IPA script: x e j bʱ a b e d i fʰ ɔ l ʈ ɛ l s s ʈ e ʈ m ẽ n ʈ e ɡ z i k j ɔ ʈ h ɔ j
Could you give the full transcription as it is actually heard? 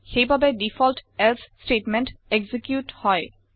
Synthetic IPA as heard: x e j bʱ a b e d i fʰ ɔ l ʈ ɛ l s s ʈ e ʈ m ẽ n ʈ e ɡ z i k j u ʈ h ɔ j